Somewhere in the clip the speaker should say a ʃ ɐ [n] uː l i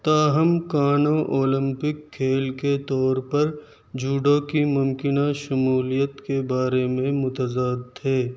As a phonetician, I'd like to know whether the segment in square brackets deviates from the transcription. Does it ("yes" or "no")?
yes